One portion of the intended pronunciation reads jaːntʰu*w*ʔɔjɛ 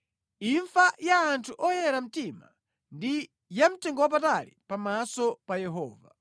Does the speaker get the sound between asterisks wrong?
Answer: yes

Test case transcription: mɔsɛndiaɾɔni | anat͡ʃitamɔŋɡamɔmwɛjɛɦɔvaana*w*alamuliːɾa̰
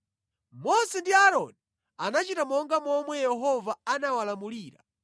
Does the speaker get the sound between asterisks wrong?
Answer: no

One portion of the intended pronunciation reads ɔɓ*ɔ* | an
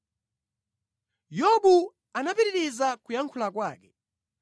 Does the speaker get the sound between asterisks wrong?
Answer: yes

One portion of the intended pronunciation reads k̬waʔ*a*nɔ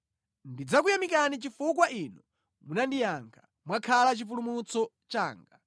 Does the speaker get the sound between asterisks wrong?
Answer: yes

